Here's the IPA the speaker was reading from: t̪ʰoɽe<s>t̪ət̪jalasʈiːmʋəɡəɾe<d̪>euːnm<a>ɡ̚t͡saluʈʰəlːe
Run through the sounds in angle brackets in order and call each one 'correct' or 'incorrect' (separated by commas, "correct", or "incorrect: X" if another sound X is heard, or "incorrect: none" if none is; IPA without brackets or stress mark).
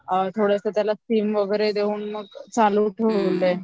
correct, correct, incorrect: ə